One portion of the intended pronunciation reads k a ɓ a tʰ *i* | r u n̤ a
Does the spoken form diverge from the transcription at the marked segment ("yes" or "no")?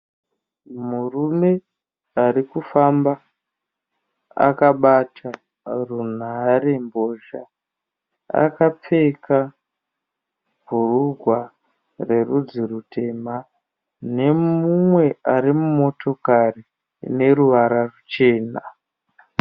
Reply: yes